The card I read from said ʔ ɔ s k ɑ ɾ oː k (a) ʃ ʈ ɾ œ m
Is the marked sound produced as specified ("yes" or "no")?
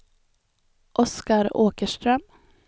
no